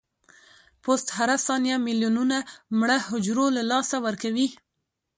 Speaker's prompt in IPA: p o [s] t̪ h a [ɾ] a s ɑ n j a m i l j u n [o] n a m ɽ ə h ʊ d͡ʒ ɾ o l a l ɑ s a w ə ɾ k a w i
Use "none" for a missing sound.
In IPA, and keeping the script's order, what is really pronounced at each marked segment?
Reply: s, ɾ, u

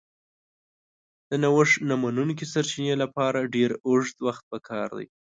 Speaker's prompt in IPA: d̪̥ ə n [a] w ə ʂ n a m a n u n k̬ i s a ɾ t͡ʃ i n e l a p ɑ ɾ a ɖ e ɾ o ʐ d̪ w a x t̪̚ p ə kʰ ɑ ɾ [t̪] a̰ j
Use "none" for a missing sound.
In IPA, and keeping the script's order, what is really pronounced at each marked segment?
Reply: a, d̪

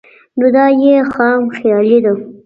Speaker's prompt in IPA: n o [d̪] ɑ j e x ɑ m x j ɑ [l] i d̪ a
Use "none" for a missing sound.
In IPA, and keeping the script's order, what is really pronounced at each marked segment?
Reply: d̪, l

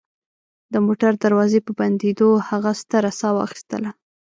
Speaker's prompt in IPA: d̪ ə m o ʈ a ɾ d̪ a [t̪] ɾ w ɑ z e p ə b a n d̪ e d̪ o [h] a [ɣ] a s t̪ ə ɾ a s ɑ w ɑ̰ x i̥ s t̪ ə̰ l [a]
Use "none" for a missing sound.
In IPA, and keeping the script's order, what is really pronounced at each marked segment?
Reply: none, h, ɣ, a

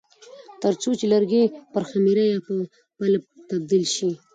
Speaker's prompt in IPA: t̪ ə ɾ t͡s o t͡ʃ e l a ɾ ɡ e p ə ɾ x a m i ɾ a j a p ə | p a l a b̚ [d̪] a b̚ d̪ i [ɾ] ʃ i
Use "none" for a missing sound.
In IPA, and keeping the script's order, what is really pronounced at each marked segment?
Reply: t̪, l

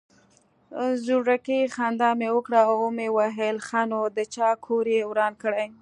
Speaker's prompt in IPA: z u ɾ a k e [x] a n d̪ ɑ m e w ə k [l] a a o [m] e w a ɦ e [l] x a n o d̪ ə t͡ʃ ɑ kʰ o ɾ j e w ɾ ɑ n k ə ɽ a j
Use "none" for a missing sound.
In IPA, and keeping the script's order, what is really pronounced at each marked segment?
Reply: x, ɽ, m, l

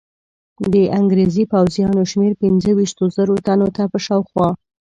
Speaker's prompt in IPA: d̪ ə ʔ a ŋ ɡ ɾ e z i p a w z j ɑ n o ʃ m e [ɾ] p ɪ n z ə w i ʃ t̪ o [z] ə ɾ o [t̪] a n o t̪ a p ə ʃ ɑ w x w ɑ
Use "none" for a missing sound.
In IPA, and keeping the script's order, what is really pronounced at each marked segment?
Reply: ɾ, z, t̪

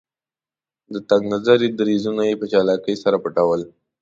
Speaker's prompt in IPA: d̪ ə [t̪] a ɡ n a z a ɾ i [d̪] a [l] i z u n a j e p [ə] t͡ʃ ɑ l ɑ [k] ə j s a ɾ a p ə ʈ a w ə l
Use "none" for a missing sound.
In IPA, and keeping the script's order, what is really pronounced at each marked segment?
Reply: t̪, d̪, ɾ, ə, k

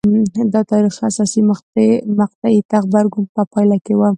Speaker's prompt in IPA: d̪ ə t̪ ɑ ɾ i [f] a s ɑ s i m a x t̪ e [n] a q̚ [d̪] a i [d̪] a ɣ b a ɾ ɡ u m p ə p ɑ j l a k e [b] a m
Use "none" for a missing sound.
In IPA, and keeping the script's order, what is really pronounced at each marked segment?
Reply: x, m, t̪, t̪, w

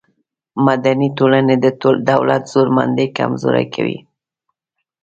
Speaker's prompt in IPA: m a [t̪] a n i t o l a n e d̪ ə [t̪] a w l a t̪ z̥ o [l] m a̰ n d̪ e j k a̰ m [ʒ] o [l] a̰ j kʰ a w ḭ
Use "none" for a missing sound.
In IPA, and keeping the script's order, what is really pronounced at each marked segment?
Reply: d̪, d̪, ɾ, z, ɾ

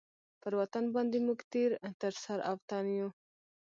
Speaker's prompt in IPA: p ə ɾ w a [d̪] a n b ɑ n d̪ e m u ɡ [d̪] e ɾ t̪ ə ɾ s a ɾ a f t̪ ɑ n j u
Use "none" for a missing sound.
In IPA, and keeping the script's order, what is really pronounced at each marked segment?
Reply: t̪, t̪

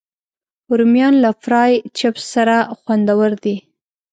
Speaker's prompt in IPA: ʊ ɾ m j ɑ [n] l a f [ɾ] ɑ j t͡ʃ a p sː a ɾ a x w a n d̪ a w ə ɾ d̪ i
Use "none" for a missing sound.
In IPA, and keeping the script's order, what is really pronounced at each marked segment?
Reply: n, ɾ

